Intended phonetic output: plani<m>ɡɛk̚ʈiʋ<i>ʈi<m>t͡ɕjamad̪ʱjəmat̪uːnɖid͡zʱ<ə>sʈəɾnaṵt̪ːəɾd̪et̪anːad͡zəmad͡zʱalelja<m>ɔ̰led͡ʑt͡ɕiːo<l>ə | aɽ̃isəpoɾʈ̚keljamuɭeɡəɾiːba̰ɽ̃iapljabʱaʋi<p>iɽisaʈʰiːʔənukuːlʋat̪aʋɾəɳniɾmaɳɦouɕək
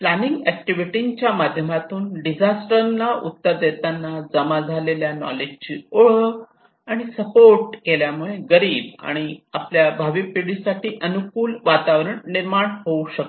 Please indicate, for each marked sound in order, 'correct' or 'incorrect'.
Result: incorrect, correct, incorrect, incorrect, incorrect, incorrect, correct

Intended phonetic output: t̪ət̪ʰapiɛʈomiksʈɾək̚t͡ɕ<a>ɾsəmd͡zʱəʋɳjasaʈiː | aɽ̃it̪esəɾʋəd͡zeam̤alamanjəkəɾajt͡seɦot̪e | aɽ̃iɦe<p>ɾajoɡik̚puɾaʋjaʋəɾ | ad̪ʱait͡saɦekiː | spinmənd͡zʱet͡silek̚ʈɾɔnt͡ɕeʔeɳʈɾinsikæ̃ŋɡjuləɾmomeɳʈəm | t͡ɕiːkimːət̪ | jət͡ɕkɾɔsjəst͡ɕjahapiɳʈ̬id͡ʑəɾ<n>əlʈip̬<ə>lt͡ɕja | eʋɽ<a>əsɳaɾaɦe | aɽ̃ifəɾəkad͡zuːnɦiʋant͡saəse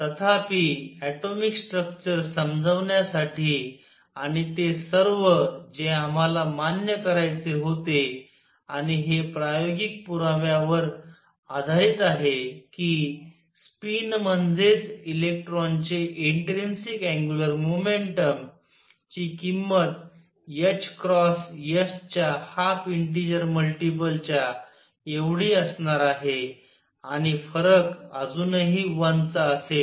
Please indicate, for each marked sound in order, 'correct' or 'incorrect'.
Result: incorrect, correct, incorrect, correct, incorrect

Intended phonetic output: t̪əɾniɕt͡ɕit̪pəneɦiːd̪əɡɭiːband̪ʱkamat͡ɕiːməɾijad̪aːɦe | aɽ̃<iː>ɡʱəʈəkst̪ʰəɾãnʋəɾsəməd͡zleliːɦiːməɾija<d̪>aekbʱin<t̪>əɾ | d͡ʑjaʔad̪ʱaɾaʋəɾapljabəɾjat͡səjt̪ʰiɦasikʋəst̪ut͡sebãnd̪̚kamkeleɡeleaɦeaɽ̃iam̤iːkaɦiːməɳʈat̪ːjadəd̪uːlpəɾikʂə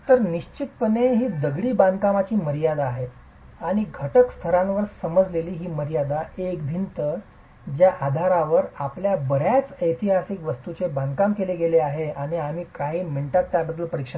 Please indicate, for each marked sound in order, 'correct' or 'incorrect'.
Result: incorrect, correct, correct

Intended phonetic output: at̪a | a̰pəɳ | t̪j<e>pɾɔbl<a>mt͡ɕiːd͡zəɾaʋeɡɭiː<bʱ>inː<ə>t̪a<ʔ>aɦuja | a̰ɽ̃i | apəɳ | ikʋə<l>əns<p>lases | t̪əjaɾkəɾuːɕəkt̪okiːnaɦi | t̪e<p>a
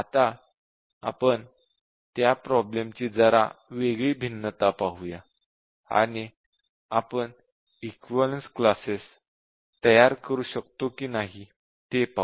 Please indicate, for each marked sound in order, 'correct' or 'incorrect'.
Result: incorrect, incorrect, correct, correct, incorrect, correct, incorrect, correct

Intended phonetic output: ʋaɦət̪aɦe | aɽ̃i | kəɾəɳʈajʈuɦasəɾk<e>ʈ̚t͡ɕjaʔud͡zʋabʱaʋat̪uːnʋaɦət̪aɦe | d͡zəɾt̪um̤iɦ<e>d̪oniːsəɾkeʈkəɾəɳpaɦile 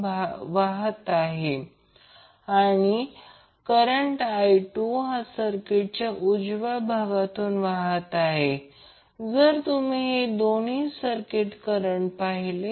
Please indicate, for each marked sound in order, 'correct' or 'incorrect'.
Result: correct, correct

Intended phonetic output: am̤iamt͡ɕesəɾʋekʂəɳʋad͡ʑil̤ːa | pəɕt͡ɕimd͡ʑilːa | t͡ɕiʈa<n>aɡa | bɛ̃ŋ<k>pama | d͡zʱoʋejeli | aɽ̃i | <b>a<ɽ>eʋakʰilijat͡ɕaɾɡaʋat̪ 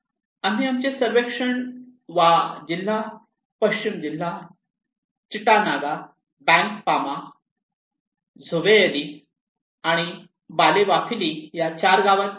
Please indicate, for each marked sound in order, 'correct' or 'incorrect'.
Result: correct, correct, correct, incorrect

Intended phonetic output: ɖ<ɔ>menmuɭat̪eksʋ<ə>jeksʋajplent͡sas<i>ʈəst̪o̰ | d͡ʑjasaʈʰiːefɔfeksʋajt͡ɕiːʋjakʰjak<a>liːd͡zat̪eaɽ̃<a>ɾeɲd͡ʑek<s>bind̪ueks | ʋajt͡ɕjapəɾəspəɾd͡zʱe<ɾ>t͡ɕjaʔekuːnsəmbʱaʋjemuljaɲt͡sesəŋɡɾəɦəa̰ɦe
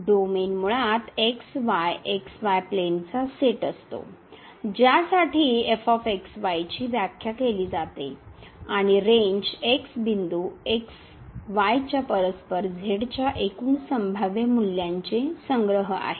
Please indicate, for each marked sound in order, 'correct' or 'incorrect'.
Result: incorrect, incorrect, incorrect, incorrect, incorrect, correct, incorrect

